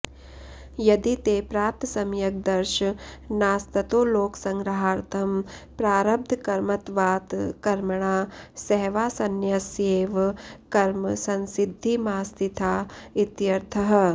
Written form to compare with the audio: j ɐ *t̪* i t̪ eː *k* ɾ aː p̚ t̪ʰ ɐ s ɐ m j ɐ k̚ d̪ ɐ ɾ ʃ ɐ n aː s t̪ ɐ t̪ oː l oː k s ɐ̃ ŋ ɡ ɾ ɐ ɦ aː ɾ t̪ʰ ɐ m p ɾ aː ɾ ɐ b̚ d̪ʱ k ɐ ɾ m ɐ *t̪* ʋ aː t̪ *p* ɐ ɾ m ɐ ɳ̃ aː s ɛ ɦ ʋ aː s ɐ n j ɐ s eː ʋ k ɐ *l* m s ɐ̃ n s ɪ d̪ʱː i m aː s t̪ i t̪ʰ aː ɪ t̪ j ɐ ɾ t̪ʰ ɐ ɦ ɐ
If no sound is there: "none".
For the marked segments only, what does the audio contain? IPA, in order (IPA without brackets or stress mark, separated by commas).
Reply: d̪, p, t̪, k, ɾ